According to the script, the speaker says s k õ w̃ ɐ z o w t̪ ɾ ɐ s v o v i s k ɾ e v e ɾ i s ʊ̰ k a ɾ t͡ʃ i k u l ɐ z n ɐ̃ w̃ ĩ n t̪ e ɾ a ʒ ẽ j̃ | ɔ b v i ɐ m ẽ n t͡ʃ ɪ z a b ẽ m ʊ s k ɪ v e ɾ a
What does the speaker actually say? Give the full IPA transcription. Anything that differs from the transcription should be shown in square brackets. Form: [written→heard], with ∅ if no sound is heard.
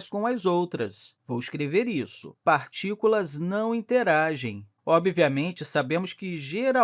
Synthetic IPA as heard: s k õ w̃ ɐ z o w t̪ ɾ ɐ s v o [v→w] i s k ɾ e v e ɾ i s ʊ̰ [k→p] a ɾ t͡ʃ i k u l ɐ z n ɐ̃ w̃ ĩ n t̪ e ɾ a ʒ ẽ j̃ | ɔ b v i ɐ m ẽ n t͡ʃ ɪ [z→s] a b ẽ m ʊ s k ɪ [v→ʒ] e ɾ a

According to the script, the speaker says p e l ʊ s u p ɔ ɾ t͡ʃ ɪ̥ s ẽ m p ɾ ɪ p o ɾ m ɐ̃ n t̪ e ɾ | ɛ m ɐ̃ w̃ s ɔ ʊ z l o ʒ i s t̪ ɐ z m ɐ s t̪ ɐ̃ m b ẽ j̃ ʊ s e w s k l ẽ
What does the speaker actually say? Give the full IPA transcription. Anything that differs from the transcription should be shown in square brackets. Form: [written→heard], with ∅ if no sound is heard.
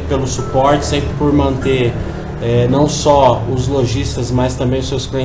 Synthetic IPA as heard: p e l ʊ s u p ɔ ɾ t͡ʃ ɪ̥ s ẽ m p ɾ ɪ p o ɾ m ɐ̃ n t̪ e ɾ | ɛ [m→n] ɐ̃ w̃ s ɔ ʊ z l o ʒ i s t̪ ɐ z m ɐ s t̪ ɐ̃ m b ẽ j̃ ʊ s e w s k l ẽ

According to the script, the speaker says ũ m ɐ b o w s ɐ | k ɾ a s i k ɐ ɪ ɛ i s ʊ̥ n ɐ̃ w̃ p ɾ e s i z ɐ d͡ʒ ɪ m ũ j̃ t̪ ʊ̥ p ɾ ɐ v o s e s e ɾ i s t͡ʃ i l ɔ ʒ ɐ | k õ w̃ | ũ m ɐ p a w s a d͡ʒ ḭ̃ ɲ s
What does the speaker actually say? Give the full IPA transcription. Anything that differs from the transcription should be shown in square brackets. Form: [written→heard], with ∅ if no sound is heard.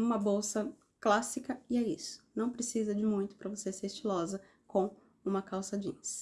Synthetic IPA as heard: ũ m ɐ b o w s ɐ | k [ɾ→l] a s i k ɐ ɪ ɛ i s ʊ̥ n ɐ̃ w̃ p ɾ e s i z ɐ d͡ʒ ɪ m ũ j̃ t̪ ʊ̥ p ɾ ɐ v o s e s e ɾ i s t͡ʃ i l ɔ [ʒ→z] ɐ | k õ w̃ | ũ m ɐ [p→k] a w s a d͡ʒ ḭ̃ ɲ s

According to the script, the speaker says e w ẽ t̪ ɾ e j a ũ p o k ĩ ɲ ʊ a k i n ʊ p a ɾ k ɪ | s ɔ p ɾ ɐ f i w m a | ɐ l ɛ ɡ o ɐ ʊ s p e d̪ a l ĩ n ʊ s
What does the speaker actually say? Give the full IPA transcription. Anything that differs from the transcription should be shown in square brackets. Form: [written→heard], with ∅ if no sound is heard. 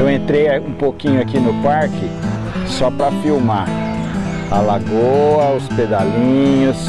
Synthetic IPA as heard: e w ẽ t̪ ɾ e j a ũ p o k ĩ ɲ ʊ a k i n ʊ p a ɾ k ɪ | s ɔ p ɾ ɐ f i w m a | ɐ l [ɛ→a] ɡ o ɐ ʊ s p e d̪ a l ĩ [n→ɲ] ʊ s

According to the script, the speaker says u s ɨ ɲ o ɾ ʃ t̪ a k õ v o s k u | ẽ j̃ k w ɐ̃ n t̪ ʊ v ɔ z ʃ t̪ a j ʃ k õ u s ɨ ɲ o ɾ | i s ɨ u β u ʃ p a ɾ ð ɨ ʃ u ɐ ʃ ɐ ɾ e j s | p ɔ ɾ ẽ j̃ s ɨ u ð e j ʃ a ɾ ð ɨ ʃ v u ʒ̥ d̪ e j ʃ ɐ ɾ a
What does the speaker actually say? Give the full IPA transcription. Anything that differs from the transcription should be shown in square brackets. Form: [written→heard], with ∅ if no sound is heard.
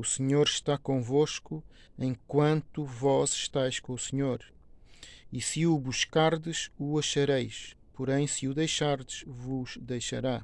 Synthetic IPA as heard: u s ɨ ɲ o ɾ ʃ t̪ a k õ v o [s→ʃ] k u | ẽ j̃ k w ɐ̃ n t̪ [ʊ→u] v ɔ z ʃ t̪ a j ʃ k õ u s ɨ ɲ o ɾ | i s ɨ u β u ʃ [p→k] a ɾ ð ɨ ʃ u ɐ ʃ ɐ ɾ e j [s→ʃ] | p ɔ ɾ ẽ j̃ s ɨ u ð e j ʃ a ɾ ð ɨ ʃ v u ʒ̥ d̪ e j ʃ ɐ ɾ a

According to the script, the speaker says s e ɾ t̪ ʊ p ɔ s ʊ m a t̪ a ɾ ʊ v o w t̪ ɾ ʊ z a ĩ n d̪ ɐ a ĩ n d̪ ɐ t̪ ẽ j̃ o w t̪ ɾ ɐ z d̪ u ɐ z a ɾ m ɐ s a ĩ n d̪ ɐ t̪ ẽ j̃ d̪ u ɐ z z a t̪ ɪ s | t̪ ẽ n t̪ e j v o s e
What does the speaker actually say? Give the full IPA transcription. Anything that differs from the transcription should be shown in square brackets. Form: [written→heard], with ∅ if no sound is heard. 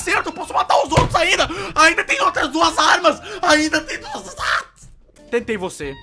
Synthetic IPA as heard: s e ɾ t̪ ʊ p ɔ s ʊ m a t̪ a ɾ ʊ [v→z] o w t̪ ɾ ʊ z a ĩ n d̪ ɐ a ĩ n d̪ ɐ t̪ ẽ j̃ o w t̪ ɾ ɐ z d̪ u ɐ z a ɾ m ɐ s a ĩ n d̪ ɐ t̪ ẽ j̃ d̪ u ɐ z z a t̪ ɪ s | t̪ ẽ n t̪ e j v o s e

